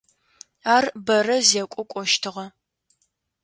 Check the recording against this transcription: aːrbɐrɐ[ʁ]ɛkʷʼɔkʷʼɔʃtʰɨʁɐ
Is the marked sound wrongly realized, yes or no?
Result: yes